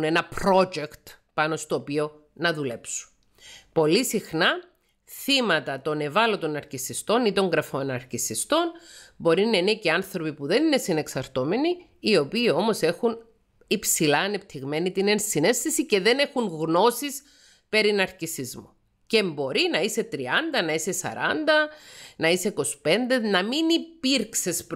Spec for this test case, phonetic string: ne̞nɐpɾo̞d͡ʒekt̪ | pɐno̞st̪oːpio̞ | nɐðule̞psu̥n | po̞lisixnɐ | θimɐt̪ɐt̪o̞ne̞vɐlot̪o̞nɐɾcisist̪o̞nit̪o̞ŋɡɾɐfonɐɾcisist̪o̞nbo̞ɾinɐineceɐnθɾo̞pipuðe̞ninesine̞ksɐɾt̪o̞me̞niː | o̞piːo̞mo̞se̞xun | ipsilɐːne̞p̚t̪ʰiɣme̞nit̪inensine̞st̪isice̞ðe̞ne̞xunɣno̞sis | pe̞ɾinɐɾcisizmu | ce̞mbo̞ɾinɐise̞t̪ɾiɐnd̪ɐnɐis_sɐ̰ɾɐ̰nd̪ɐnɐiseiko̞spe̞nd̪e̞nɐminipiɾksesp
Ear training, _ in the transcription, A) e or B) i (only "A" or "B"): A